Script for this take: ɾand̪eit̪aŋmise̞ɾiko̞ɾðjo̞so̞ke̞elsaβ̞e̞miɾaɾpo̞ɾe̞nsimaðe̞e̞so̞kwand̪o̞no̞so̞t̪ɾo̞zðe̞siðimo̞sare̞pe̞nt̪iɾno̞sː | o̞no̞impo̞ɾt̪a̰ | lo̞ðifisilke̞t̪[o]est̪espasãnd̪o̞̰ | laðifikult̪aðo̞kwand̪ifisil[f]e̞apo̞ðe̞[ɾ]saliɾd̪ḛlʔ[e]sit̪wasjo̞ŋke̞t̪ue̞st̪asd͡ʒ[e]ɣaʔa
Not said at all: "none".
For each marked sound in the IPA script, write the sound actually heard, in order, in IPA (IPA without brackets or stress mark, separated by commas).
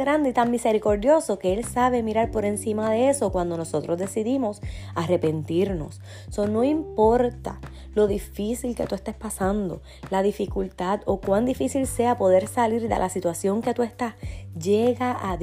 u, s, ɾ, a, e